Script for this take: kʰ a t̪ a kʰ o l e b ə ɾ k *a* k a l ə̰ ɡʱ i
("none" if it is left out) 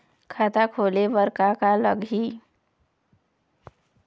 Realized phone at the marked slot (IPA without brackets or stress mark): a